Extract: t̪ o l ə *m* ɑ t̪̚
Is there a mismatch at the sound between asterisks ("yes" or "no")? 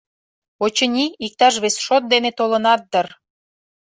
yes